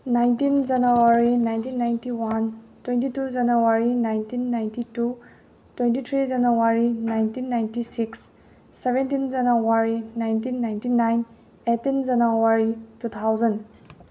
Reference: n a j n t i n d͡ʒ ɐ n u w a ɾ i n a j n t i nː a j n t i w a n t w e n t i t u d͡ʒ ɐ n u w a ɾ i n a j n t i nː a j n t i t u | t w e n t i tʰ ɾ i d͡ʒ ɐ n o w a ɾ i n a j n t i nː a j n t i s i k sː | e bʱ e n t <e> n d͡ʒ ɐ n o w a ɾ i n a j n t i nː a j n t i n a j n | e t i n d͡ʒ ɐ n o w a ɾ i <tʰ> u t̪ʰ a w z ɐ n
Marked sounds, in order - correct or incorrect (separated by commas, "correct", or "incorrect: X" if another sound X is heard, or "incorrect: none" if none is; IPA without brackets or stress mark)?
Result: incorrect: i, incorrect: t